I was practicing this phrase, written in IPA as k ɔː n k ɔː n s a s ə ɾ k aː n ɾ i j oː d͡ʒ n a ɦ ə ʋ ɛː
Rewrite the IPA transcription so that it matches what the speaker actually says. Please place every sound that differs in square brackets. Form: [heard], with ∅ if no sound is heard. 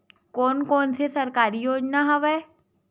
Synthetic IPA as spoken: k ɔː n k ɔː n s [e] s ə ɾ k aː [∅] ɾ i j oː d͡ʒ n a ɦ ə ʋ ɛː